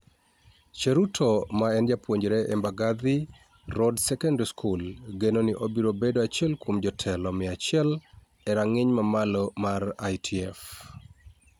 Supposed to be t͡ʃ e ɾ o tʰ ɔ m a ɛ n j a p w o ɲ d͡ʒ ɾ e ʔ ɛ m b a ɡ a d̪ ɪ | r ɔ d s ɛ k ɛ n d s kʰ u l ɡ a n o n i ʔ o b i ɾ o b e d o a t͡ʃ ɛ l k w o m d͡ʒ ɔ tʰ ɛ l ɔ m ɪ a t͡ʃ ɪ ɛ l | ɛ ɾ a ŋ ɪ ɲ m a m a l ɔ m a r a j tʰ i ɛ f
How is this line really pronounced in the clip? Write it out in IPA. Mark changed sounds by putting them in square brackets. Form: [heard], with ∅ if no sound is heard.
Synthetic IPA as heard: t͡ʃ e ɾ [u] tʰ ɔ m a ɛ n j a p w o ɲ d͡ʒ ɾ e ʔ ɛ m b a ɡ a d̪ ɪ | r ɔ d s ɛ k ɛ n d s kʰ u l ɡ [e] n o n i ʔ o b i ɾ o b e d o a t͡ʃ ɛ l k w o m d͡ʒ ɔ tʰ ɛ l ɔ m ɪ a t͡ʃ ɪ ɛ l | ɛ ɾ a ŋ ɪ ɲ m a m a l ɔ m a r a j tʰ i ɛ f